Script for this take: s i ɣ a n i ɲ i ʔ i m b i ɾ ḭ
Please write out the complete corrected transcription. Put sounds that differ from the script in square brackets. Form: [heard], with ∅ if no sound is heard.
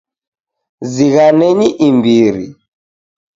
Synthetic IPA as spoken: [z] i ɣ a n [ɛ] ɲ i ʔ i m b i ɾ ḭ